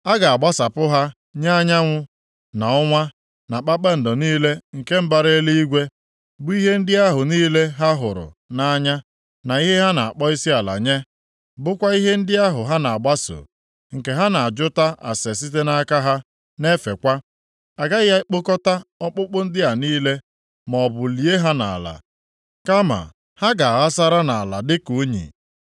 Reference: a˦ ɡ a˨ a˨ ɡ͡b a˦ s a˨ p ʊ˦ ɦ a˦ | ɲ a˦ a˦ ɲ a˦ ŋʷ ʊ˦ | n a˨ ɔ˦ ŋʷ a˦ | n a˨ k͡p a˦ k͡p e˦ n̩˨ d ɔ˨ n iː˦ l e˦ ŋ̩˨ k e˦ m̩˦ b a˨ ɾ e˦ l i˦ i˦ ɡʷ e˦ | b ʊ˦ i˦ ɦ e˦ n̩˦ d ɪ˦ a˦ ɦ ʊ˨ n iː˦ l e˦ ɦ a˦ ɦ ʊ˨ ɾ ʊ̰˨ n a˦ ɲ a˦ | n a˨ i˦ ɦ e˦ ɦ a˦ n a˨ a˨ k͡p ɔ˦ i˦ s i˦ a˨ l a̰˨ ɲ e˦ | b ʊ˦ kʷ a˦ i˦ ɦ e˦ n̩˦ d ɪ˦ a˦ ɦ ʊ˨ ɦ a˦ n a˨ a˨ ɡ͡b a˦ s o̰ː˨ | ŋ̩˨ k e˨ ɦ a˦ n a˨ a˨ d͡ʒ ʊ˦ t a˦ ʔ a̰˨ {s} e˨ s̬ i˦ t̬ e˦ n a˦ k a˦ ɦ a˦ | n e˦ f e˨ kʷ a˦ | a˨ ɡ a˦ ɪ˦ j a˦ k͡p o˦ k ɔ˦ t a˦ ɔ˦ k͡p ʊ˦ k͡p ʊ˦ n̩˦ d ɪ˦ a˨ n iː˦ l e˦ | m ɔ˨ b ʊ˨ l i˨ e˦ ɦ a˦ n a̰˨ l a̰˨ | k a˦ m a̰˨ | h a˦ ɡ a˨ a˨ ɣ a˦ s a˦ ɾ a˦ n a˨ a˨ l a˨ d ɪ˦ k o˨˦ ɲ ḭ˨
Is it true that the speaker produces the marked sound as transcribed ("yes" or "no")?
yes